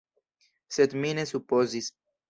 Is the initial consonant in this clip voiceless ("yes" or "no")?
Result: yes